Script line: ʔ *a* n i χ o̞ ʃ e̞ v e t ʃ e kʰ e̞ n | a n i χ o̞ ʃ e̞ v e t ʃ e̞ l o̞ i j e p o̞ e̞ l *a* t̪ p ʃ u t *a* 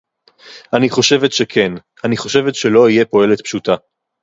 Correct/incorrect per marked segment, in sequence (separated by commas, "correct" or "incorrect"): correct, incorrect, correct